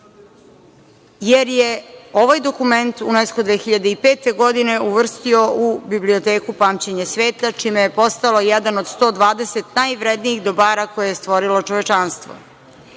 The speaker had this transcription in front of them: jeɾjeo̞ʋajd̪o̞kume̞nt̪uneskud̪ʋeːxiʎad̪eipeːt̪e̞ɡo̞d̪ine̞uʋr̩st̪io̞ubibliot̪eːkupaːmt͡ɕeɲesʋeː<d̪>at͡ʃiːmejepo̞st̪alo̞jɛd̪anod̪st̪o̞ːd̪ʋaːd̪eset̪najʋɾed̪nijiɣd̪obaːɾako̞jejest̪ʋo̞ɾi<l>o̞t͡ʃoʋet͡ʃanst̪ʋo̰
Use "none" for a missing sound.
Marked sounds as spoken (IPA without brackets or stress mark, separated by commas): t̪, l